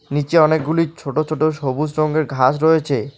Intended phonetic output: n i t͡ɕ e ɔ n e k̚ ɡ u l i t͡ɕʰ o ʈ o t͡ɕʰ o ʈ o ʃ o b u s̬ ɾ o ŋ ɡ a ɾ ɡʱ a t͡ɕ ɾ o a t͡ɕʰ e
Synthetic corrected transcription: n i t͡ɕ e ɔ n e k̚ ɡ u l i t͡ɕʰ o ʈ o t͡ɕʰ o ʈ o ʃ o b u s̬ ɾ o ŋ ɡ e ɾ ɡʱ a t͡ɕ ɾ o e t͡ɕʰ e